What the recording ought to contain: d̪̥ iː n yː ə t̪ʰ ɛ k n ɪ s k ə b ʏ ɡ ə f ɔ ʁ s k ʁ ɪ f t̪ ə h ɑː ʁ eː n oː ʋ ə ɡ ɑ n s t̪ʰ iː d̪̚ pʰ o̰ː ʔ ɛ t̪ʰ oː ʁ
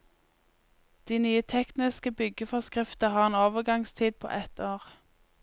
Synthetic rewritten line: d̪̥ iː n yː ə t̪ʰ ɛ k n ɪ s k ə b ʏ ɡ ə f ɔ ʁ s k ʁ ɪ f t̪ ə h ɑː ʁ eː n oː ʋ ə ɡ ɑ ŋ s t̪ʰ iː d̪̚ pʰ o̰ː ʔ ɛ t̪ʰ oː ʁ